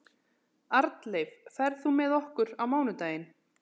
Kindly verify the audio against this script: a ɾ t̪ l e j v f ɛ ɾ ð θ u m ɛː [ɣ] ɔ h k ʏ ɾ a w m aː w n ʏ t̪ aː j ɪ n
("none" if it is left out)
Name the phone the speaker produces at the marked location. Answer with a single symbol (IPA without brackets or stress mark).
ð